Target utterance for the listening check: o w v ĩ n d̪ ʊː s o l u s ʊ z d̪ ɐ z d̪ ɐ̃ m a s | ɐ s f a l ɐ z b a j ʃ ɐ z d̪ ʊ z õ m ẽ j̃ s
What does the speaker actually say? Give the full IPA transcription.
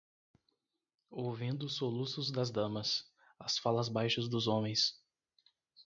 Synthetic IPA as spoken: o w v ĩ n d̪ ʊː s o l u s ʊ z d̪ ɐ z d̪ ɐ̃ m ɐ s | ɐ s f a l ɐ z b a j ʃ ɐ z d̪ ʊ z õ m ẽ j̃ s